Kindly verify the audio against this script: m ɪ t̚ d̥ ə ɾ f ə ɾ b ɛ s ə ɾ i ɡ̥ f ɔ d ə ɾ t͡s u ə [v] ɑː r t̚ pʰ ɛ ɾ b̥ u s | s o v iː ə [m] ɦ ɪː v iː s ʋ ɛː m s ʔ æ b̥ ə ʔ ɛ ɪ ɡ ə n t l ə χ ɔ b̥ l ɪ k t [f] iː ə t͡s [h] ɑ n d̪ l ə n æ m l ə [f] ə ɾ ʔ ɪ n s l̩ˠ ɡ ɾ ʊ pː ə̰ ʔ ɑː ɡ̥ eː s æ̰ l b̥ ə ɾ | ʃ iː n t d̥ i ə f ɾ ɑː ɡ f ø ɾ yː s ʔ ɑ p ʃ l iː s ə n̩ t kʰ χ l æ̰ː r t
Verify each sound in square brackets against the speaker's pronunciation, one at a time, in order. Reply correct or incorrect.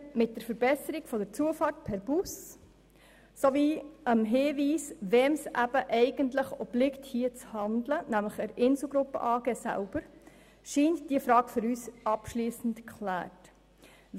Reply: incorrect, correct, incorrect, correct, incorrect

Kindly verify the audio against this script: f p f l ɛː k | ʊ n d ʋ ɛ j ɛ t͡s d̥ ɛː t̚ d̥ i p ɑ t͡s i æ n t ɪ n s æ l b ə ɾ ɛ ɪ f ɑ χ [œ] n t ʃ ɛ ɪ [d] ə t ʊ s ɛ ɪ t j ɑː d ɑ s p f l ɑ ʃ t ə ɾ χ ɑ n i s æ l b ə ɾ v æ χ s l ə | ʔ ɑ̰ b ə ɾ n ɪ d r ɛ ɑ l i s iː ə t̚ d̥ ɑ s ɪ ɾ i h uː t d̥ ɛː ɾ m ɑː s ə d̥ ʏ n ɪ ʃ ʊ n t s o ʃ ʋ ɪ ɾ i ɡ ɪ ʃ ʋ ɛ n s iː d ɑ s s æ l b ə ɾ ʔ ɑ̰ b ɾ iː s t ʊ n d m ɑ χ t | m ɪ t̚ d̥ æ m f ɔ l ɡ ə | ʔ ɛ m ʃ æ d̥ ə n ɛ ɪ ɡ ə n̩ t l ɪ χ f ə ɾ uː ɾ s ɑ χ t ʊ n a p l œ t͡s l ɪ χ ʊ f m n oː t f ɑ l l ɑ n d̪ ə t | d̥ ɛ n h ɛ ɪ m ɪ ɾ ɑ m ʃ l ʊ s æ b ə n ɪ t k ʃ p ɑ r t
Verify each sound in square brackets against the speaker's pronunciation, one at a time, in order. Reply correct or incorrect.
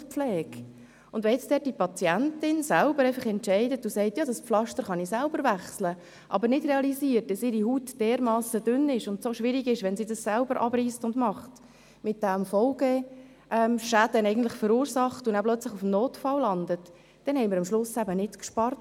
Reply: incorrect, correct

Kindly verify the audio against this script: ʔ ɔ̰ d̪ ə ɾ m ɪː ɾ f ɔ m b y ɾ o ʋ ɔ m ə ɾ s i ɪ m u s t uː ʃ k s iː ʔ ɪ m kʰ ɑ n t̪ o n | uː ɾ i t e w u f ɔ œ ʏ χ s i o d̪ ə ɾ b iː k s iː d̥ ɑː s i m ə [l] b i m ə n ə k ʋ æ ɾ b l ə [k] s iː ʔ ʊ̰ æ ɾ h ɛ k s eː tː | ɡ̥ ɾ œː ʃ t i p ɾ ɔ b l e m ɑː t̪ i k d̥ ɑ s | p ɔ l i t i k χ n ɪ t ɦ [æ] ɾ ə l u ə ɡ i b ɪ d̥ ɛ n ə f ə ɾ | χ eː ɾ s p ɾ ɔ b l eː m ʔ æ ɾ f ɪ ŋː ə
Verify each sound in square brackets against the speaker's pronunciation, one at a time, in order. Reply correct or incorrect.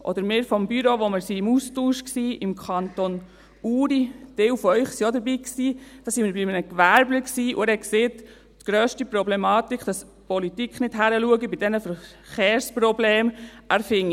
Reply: incorrect, correct, correct

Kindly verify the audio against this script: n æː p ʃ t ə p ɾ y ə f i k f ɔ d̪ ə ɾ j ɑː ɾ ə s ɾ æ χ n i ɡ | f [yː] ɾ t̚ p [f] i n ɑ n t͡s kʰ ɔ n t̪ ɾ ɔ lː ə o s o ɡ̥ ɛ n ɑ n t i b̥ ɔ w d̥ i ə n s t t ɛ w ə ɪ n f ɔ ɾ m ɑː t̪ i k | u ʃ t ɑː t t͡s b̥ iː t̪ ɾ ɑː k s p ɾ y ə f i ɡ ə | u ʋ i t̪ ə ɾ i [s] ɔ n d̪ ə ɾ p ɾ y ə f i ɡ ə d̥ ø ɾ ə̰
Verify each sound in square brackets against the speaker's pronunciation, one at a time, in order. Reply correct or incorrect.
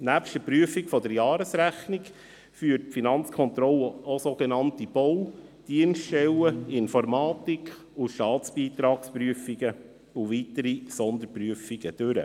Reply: correct, correct, correct

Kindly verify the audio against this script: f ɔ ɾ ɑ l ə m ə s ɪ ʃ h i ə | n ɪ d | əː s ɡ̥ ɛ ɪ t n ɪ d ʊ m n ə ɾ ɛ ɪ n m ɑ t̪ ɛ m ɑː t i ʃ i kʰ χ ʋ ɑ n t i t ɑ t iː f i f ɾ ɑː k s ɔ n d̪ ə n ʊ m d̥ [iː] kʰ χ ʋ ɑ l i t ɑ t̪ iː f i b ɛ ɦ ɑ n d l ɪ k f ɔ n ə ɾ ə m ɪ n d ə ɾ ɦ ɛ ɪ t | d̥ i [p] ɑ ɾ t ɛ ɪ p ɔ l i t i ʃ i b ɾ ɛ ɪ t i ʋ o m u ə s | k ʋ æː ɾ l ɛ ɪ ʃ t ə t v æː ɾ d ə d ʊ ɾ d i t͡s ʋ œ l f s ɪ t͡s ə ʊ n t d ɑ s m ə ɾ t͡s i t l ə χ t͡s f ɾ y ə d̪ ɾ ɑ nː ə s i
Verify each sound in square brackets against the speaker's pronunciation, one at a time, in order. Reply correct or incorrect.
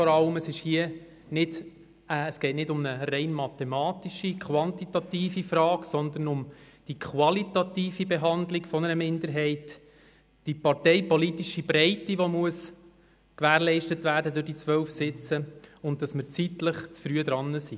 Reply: incorrect, correct

